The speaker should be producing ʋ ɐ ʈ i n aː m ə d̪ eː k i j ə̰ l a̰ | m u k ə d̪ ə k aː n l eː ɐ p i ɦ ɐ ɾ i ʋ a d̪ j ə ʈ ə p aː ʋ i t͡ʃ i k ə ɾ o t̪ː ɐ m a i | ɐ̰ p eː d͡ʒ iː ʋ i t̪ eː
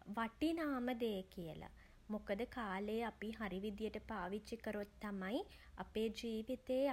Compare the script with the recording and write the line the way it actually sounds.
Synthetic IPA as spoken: ʋ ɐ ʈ i n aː m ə d̪ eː k i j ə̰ l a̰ | m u k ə d̪ ə k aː l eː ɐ p i ɦ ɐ ɾ i ʋ i d̪ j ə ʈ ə p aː ʋ i t͡ʃ i k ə ɾ o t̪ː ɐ m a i | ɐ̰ p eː d͡ʒ iː ʋ i t̪ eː